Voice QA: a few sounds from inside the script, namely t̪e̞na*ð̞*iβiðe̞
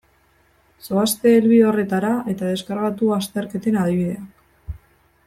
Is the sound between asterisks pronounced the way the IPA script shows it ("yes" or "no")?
yes